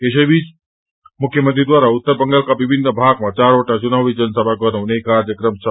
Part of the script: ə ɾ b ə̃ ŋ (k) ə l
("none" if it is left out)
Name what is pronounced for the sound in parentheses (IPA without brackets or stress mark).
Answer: ɡ